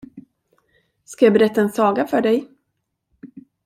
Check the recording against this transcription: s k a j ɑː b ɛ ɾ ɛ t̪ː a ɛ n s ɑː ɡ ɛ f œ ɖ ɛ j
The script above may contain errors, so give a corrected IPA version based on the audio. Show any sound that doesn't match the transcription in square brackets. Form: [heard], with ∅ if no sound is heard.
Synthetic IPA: s k a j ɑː b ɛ ɾ ɛ t̪ː a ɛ n s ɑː ɡ [a] f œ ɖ ɛ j